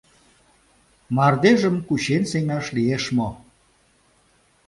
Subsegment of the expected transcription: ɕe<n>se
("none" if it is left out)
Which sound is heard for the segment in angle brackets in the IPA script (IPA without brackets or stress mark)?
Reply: n